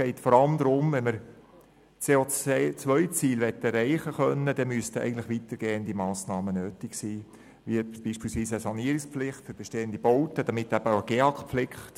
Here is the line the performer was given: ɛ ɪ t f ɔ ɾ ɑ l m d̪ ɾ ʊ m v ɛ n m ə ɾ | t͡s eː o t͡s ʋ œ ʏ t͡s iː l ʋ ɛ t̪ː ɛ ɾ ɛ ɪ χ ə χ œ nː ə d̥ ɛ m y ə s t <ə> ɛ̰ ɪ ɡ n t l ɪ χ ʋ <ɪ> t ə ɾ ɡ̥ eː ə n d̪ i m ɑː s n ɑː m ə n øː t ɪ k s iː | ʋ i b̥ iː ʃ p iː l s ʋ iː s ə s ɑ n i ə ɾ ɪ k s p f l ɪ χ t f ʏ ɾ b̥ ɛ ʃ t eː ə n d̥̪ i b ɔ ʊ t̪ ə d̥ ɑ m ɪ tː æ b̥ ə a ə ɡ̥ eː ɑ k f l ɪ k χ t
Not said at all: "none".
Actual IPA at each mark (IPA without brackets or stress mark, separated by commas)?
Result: ə, i